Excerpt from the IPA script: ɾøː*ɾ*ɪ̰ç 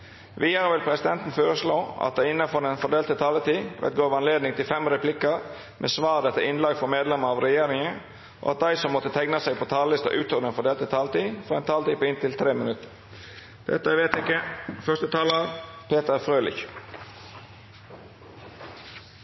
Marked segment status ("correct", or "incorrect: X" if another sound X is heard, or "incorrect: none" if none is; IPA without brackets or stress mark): incorrect: l